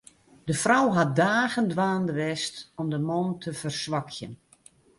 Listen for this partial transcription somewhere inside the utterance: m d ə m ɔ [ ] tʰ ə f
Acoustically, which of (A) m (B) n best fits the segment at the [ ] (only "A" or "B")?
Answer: B